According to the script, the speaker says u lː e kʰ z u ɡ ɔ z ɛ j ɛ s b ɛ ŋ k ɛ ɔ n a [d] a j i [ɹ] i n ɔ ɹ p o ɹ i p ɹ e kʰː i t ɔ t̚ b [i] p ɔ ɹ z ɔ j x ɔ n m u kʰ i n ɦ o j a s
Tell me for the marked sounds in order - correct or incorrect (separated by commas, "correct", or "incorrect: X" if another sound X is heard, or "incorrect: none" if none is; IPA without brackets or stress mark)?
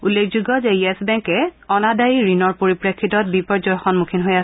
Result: correct, correct, correct